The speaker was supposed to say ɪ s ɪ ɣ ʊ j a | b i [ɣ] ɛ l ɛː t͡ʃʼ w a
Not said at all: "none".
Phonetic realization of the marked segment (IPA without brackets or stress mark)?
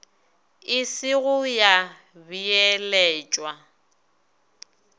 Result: none